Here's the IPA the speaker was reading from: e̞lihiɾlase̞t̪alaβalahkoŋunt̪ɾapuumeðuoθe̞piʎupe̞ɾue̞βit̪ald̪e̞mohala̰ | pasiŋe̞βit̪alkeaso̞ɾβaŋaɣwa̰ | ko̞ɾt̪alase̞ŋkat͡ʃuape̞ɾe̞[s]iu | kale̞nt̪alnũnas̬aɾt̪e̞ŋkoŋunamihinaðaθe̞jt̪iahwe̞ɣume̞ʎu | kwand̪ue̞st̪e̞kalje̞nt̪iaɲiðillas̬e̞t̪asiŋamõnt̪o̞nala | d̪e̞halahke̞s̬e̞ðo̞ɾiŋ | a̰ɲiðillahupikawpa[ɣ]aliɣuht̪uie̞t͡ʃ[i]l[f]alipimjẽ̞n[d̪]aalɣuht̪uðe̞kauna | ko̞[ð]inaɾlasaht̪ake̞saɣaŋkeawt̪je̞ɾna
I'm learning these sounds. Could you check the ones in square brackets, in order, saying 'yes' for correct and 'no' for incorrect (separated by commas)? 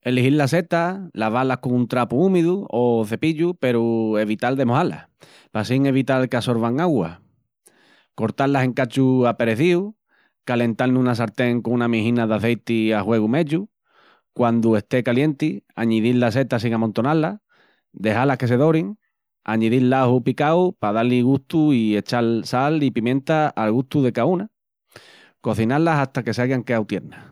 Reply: no, no, no, no, no, no